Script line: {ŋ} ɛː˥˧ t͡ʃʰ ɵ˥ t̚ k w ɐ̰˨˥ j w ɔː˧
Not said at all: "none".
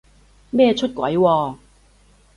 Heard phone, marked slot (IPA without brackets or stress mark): m